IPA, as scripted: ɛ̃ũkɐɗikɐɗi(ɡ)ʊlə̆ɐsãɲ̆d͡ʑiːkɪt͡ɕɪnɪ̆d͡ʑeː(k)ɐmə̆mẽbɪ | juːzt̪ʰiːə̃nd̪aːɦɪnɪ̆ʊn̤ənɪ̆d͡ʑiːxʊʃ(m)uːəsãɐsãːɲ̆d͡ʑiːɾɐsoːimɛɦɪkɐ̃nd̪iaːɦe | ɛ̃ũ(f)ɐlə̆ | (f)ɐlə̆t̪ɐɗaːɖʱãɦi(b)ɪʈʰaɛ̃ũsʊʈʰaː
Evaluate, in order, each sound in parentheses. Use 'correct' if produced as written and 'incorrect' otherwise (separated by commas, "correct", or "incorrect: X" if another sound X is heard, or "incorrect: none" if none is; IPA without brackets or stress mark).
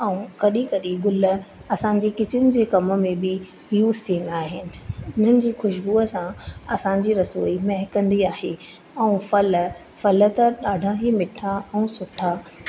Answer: correct, correct, incorrect: b, correct, correct, incorrect: m